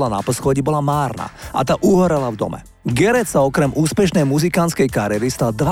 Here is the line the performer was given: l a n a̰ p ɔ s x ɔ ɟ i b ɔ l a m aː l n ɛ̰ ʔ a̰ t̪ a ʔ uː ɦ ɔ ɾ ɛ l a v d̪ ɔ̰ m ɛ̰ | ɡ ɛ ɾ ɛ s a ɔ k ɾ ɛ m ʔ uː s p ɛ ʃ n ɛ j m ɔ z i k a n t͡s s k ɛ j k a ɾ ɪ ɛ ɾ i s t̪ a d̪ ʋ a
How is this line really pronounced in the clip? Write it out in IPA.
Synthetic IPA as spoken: l a n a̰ p ɔ s x ɔ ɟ i b ɔ l a m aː ɾ n a̰ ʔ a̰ t̪ a ʔ u ɦ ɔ ɾ ɛ l a v d̪ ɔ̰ m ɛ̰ | ɡ ɛ ɾ ɛ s a ɔ k ɾ ɛ m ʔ uː s p ɛ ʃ n ɛ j m u z i k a n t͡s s k ɛ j k a ɾ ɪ ɛ ɾ i s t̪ a d̪ ʋ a